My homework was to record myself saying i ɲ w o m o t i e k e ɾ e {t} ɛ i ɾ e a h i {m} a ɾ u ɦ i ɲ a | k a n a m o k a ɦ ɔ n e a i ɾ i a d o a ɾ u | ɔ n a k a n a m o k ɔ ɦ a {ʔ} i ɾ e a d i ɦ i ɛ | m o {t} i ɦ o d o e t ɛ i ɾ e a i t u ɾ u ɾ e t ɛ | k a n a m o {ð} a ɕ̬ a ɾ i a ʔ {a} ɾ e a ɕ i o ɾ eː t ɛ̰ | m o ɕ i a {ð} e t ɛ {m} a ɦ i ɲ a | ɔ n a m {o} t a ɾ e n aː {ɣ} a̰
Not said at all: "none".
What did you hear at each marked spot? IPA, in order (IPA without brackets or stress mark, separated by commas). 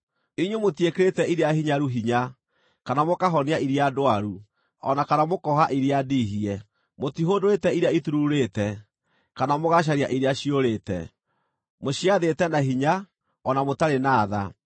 t, ɲ, ʔ, t, ɣ, i, ð, n, o, ð